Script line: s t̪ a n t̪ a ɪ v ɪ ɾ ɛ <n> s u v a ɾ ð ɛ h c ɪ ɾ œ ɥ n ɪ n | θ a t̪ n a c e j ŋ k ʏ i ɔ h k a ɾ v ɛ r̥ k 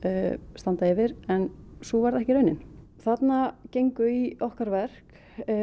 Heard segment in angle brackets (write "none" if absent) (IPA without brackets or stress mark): n